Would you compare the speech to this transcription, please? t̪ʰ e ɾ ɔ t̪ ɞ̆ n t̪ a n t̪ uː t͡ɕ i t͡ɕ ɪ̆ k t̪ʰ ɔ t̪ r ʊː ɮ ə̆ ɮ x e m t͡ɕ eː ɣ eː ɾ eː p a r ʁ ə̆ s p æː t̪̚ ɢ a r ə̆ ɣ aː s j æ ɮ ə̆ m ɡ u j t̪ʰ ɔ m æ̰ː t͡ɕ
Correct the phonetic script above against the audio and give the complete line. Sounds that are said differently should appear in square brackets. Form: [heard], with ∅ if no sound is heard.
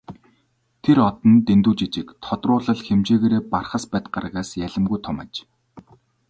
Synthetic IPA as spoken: t̪ʰ e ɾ ɔ t̪ ɞ̆ n t̪ [e] n t̪ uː t͡ɕ i t͡ɕ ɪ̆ k t̪ʰ ɔ t̪ r ʊː ɮ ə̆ ɮ x e m t͡ɕ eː ɣ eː ɾ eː p a r [χ] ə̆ s p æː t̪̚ ɢ a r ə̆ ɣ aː s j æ ɮ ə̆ m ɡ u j t̪ʰ ɔ m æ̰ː t͡ɕ